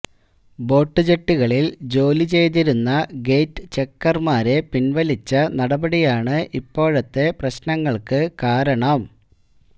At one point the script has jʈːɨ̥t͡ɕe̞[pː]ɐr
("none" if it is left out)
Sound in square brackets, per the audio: kː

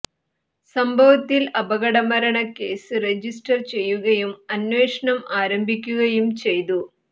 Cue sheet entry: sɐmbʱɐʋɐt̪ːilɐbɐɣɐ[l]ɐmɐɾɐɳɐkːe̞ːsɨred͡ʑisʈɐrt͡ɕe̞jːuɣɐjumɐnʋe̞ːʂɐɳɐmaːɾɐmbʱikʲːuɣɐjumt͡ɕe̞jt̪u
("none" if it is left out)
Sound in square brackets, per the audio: ɽ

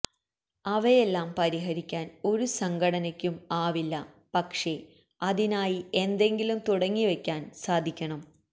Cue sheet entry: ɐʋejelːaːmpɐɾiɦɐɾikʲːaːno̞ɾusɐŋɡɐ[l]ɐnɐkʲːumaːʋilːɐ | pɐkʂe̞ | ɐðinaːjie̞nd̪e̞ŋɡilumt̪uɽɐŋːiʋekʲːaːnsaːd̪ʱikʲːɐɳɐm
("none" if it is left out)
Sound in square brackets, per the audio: ɽ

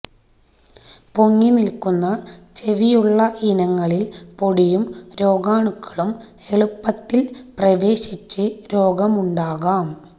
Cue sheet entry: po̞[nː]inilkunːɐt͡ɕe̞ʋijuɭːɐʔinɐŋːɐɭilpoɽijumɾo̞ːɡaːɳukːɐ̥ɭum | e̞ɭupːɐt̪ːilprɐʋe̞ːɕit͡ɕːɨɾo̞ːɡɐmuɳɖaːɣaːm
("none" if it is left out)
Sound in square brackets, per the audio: ŋː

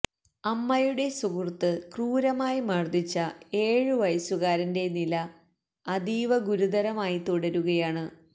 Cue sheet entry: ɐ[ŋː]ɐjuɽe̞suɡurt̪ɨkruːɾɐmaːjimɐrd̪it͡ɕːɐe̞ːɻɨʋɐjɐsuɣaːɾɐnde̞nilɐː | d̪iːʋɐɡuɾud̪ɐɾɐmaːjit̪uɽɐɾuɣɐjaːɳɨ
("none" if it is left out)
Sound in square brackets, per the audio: mː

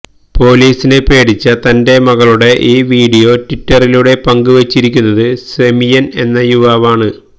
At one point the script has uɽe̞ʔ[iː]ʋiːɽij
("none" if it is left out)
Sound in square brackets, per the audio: iː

